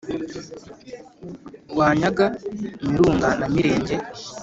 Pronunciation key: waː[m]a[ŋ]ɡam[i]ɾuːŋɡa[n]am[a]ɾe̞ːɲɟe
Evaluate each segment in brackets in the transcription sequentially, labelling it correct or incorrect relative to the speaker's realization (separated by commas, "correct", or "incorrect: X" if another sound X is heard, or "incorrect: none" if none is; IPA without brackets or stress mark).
incorrect: ɲ, incorrect: none, correct, correct, incorrect: i